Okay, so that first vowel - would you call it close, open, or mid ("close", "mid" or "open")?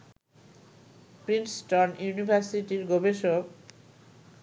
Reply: close